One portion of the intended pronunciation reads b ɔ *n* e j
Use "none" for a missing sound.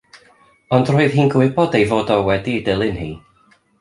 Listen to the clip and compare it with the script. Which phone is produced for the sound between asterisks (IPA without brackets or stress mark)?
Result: d